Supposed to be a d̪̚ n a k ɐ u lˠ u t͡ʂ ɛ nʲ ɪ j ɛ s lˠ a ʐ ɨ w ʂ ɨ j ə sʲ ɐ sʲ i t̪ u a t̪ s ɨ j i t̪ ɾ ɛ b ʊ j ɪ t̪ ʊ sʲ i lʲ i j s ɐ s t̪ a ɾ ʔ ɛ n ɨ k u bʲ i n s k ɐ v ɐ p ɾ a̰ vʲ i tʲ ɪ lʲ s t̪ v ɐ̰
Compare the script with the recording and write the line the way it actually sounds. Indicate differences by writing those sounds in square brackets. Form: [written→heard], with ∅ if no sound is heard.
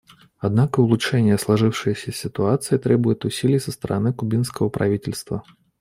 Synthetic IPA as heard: a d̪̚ n a k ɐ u lˠ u t͡ʂ ɛ nʲ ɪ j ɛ s lˠ a ʐ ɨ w ʂ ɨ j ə sʲ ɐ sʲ i t̪ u a t̪ s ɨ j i t̪ ɾ ɛ b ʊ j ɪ t̪ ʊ sʲ i lʲ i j s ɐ s t̪ [a→ɐ] ɾ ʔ [ɛ→a] n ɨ k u bʲ i n s k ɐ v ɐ p ɾ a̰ vʲ i tʲ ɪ lʲ s t̪ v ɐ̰